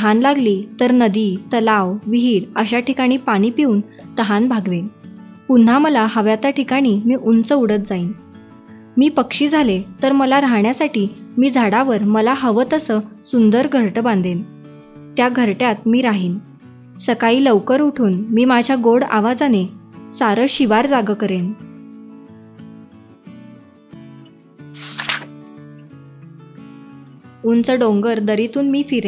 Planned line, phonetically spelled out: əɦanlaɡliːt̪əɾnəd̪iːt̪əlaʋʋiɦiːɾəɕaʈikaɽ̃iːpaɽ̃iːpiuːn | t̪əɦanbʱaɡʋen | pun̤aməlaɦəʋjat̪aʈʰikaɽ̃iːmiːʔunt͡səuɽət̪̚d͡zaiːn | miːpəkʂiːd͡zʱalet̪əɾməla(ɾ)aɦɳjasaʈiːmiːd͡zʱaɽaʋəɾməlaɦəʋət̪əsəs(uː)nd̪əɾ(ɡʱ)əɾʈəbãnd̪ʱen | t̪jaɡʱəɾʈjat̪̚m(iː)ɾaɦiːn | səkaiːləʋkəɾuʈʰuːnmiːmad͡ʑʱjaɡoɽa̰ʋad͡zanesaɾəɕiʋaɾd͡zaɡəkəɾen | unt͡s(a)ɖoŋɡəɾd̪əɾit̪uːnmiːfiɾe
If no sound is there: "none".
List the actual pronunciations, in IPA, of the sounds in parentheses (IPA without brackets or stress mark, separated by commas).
ɾ, u, ɡʱ, iː, ə